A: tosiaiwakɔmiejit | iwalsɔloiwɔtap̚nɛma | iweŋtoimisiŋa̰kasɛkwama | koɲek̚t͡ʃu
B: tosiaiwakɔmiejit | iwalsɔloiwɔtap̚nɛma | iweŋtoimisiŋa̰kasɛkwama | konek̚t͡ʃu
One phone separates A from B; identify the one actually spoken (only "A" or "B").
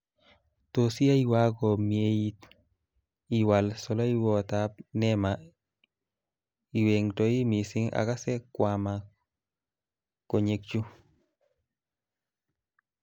A